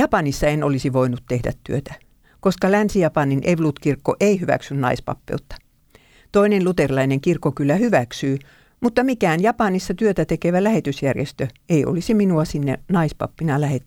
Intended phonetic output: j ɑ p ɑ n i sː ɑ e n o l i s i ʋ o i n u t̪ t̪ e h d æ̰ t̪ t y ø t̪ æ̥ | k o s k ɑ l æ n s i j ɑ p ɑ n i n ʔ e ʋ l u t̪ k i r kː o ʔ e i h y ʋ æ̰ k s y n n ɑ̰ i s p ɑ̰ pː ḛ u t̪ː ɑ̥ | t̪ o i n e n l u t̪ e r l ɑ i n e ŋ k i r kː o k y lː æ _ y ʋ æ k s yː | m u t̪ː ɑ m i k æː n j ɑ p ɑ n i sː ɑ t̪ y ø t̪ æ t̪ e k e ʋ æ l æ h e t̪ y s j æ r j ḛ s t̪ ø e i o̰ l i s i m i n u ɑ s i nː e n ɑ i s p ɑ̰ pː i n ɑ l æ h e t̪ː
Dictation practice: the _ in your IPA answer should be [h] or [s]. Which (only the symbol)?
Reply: h